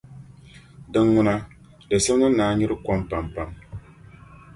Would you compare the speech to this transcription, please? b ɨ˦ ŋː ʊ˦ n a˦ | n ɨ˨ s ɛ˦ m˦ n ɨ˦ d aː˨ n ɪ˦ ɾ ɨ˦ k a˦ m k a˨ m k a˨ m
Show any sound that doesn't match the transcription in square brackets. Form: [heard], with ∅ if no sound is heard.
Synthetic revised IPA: [d] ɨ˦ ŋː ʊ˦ n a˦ | [d] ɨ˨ s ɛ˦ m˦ n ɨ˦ [n] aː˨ [ɲ] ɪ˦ ɾ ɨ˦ k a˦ m [p] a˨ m [p] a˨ m